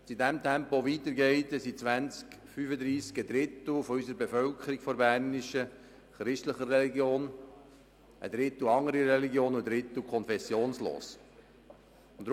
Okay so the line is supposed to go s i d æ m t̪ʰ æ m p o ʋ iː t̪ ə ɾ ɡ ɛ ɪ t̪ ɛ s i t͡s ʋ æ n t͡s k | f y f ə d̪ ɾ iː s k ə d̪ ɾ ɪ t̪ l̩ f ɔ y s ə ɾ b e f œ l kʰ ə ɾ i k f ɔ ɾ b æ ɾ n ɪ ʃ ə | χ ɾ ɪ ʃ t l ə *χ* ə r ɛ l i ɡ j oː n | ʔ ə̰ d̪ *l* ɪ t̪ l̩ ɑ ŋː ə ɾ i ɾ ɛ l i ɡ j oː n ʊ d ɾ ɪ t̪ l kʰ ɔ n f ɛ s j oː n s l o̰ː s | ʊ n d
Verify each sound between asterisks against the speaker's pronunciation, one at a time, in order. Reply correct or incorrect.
correct, incorrect

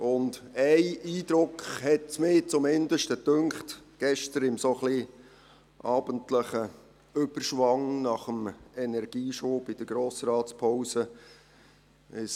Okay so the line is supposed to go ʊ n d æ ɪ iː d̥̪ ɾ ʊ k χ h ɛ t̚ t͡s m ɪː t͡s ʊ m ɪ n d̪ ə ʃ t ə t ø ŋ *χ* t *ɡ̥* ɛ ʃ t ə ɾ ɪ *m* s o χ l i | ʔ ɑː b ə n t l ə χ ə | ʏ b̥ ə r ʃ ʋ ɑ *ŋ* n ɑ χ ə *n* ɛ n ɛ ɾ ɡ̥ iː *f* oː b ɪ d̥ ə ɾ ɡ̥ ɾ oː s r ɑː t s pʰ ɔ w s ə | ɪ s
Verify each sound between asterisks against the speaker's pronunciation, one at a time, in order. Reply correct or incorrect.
correct, correct, correct, correct, incorrect, incorrect

